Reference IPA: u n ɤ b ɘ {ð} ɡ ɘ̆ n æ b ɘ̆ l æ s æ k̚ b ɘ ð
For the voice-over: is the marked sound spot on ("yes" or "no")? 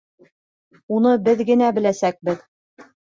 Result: yes